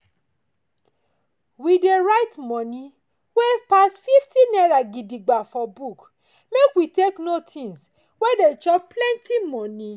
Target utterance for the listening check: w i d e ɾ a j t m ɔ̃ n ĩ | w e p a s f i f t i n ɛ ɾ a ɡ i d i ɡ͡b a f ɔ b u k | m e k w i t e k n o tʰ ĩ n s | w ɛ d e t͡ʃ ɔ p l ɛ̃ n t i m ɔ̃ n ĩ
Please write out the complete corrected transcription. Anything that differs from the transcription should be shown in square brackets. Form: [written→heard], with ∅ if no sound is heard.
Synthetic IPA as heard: w i d e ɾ a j t m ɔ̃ n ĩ | w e p a s f i f t i n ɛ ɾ a ɡ i d i ɡ͡b a f ɔ b u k | m e k w i t e k n o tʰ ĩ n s | w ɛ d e t͡ʃ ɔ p l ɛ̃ n t i m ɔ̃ n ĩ